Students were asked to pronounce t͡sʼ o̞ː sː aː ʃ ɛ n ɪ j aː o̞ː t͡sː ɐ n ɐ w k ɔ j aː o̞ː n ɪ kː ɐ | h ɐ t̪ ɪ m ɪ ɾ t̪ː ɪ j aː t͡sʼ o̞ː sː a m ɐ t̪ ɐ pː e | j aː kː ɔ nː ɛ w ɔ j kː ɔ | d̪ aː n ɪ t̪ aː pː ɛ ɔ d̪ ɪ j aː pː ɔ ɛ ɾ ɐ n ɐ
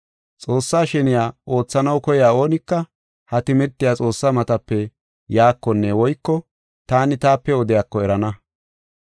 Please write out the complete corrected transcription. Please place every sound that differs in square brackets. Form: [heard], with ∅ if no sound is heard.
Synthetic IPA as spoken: t͡sʼ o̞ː sː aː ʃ ɛ n ɪ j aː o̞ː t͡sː ɐ n ɐ w k ɔ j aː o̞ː n ɪ kː ɐ | h ɐ t̪ ɪ m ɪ ɾ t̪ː ɪ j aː t͡sʼ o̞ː sː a m ɐ t̪ ɐ pː [ɛ] | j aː kː ɔ nː ɛ w ɔ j kː ɔ | [t̪] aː n ɪ t̪ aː pː ɛ ɔ d̪ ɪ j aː [kː] ɔ ɛ ɾ ɐ n ɐ